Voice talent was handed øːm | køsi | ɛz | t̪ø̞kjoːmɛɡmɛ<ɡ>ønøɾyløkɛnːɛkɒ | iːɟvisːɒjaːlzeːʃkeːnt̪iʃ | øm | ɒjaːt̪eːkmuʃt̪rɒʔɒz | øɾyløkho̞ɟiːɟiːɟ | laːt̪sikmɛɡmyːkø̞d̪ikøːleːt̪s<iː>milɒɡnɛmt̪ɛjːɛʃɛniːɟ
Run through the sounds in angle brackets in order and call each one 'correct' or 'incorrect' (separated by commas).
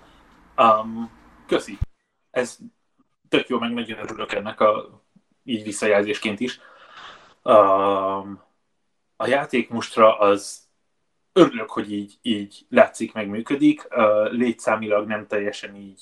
incorrect, incorrect